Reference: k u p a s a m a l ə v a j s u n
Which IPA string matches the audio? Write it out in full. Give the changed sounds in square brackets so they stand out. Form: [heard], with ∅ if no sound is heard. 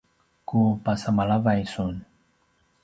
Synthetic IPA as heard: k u p a s a m a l [a] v a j s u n